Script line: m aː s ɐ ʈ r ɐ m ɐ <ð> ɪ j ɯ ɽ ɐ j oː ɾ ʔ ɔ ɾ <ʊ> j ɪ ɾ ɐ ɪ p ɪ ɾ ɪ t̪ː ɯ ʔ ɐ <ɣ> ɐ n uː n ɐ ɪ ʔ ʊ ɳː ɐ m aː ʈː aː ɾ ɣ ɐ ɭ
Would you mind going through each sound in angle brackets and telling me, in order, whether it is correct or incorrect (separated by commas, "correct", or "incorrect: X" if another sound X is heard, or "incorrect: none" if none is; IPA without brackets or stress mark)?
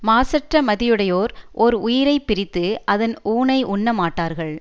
correct, correct, incorrect: ð